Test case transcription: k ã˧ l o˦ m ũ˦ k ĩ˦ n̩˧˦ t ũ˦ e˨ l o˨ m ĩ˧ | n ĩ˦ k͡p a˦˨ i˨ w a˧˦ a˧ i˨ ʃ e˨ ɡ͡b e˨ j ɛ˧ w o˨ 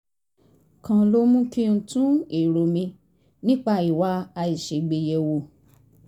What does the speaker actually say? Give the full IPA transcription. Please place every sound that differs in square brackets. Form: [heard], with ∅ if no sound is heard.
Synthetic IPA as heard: k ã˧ l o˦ m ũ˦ k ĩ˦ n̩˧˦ t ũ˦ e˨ [ɾ] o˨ m ĩ˧ | n ĩ˦ k͡p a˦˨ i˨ w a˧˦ a˧ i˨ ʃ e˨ ɡ͡b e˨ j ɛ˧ w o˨